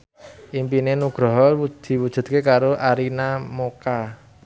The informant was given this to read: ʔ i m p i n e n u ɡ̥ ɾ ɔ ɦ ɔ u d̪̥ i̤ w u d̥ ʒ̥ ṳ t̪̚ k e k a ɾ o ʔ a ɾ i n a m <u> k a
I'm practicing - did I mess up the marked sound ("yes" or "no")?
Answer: yes